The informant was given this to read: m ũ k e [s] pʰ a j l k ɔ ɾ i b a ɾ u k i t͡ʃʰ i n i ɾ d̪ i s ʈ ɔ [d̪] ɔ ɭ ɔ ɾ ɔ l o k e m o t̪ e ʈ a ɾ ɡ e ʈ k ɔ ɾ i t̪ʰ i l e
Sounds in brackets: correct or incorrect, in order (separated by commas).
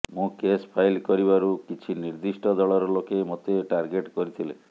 correct, correct